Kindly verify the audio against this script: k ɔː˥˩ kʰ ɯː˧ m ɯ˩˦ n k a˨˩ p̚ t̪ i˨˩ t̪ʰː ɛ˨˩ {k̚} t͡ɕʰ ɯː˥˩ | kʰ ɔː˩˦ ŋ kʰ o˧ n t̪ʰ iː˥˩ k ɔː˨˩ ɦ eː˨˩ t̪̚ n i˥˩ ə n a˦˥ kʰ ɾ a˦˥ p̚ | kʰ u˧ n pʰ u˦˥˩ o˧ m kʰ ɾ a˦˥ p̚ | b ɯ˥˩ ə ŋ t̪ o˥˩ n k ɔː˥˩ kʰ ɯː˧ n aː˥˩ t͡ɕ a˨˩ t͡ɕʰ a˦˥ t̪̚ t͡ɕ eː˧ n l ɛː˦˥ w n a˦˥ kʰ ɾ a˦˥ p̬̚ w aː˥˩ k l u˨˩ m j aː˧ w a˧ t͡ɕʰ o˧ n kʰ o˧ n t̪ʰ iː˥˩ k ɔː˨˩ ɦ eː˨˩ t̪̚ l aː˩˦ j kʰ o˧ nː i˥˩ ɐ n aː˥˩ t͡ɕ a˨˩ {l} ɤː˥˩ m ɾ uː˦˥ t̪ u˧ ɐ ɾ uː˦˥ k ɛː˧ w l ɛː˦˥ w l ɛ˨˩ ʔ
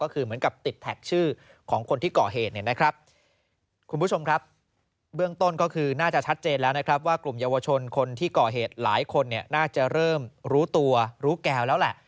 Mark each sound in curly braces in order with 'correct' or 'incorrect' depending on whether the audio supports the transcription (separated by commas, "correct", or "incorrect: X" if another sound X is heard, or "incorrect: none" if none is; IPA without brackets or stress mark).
correct, incorrect: ɾ